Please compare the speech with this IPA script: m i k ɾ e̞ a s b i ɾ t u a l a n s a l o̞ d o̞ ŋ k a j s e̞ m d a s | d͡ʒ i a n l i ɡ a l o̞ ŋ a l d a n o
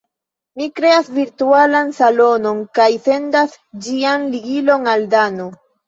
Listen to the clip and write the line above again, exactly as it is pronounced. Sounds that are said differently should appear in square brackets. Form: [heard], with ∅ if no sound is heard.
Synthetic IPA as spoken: m i k ɾ e̞ a s [v] i ɾ t u a l a n s a l o̞ [n] o̞ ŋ k a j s e̞ [n] d a s | d͡ʒ i a n l i ɡ [i] l o̞ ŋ a l d a n o